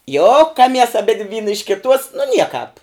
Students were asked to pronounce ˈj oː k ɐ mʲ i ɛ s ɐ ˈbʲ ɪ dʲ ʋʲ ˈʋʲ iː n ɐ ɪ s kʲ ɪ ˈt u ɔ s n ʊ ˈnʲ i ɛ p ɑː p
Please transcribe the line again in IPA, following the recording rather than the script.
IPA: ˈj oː k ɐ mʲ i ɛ s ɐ ˈbʲ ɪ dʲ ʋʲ ˈʋʲ iː n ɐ ɪ ʃ kʲ ɪ ˈt u ɔ s n ʊ ˈnʲ i ɛ k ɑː p

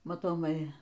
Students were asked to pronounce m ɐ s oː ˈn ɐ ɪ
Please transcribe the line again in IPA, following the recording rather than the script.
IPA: m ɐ t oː ˈm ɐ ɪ

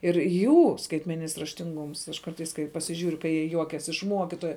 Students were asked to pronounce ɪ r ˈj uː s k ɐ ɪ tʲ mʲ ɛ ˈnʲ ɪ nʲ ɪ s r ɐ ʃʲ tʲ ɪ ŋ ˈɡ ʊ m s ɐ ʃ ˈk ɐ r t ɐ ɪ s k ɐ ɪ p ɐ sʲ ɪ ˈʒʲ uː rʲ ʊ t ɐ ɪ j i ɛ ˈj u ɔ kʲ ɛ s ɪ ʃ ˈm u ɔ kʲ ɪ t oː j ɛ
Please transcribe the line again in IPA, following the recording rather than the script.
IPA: ɪ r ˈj uː s k ɐ ɪ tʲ mʲ ɛ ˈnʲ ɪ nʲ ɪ s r ɐ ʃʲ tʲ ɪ ŋ ˈɡ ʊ m s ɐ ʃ ˈk ɐ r t ɐ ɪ s k ɐ ɪ p ɐ sʲ ɪ ˈʒʲ uː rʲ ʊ k ɐ ɪ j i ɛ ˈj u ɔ kʲ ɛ s ɪ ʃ ˈm u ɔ kʲ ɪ t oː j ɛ

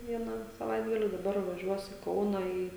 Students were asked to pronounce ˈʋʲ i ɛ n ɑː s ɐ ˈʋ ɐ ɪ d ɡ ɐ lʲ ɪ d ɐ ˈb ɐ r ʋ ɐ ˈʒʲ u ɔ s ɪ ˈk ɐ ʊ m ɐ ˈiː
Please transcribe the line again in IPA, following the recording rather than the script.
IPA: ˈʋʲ i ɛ n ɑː s ɐ ˈʋ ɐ ɪ d ɡ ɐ lʲ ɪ d ɐ ˈb ɐ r ʋ ɐ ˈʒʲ u ɔ s ɪ ˈk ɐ ʊ n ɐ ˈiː

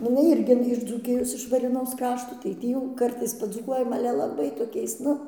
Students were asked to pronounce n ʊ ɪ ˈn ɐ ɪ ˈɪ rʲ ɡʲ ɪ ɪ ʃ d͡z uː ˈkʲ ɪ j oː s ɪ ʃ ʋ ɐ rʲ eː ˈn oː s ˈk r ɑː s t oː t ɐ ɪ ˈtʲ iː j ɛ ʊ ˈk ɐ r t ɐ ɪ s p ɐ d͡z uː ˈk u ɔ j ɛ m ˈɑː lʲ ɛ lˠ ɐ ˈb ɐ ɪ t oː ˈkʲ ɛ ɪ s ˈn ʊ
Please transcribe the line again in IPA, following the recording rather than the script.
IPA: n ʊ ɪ ˈn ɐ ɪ ˈɪ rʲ ɡʲ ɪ ɪ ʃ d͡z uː ˈkʲ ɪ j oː s ɪ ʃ ʋ ɐ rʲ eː ˈn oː s ˈk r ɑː ʃ t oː t ɐ ɪ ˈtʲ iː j ɛ ʊ ˈk ɐ r t ɐ ɪ s p ɐ d͡z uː ˈk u ɔ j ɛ m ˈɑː lʲ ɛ lˠ ɐ ˈb ɐ ɪ t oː ˈkʲ ɛ ɪ s ˈn ʊ

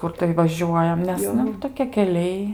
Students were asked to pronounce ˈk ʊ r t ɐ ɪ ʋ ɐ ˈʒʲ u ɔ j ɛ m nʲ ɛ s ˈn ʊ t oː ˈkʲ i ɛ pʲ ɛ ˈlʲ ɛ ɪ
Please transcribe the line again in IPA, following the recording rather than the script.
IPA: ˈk ʊ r t ɐ ɪ ʋ ɐ ˈʒʲ u ɔ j ɛ m nʲ ɛ s ˈn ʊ t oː ˈkʲ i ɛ kʲ ɛ ˈlʲ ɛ ɪ

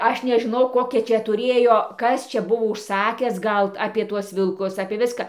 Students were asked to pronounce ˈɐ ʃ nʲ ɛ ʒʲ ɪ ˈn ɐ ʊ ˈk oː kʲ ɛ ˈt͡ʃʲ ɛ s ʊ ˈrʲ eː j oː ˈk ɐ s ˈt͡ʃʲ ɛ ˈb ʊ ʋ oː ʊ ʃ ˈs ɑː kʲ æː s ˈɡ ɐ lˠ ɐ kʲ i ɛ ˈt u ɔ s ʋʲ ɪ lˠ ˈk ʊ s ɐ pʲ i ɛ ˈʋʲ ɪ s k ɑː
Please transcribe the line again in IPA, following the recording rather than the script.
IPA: ˈɐ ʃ nʲ ɛ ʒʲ ɪ ˈn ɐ ʊ ˈk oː kʲ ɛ ˈt͡ʃʲ ɛ t ʊ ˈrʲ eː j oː ˈk ɐ s ˈt͡ʃʲ ɛ ˈb ʊ ʋ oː ʊ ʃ ˈs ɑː kʲ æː s ˈɡ ɐ lˠ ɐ pʲ i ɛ ˈt u ɔ s ʋʲ ɪ lˠ ˈk ʊ s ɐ pʲ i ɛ ˈʋʲ ɪ s k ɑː

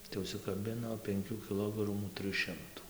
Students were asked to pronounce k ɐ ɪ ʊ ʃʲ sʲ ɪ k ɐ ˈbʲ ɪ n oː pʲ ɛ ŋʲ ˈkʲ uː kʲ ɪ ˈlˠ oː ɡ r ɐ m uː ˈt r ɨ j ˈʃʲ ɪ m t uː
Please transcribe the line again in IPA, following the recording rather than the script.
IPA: t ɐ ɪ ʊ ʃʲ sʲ ɪ k ɐ ˈbʲ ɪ n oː pʲ ɛ ŋʲ ˈkʲ uː kʲ ɪ ˈlˠ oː ɡ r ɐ m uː ˈt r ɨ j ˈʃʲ ɪ m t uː

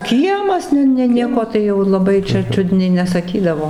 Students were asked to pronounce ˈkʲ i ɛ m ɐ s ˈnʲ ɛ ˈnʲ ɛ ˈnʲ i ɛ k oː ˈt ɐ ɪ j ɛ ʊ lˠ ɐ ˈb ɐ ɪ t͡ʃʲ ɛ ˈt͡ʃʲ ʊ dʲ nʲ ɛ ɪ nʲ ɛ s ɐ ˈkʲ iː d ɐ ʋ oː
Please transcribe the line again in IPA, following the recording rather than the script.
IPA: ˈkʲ i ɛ m ɐ s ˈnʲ ɛ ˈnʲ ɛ ˈnʲ i ɛ k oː ˈt ɐ ɪ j ɛ ʊ lˠ ɐ ˈb ɐ ɪ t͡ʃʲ ɛ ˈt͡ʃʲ ʊ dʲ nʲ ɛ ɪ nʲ ɛ s ɐ ˈkʲ iː d ɐ ʋ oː

